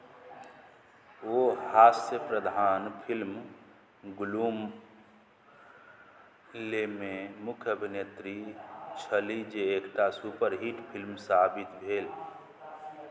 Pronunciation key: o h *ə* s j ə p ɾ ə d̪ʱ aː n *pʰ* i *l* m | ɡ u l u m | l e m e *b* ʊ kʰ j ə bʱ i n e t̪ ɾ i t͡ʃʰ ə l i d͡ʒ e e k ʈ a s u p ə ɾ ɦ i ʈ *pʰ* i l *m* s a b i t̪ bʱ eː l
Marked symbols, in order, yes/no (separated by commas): no, yes, yes, no, yes, yes